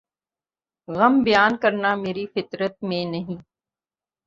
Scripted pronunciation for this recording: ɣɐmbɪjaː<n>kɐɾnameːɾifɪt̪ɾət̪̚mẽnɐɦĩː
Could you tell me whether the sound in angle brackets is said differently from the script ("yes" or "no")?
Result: no